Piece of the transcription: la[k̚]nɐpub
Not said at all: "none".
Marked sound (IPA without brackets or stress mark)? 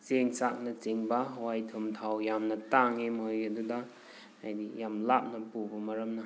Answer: p̚